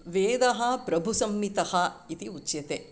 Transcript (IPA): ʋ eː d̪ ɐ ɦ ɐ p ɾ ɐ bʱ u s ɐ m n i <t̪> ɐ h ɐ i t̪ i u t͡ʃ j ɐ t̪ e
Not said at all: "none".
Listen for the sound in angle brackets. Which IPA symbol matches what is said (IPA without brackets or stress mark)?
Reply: t̪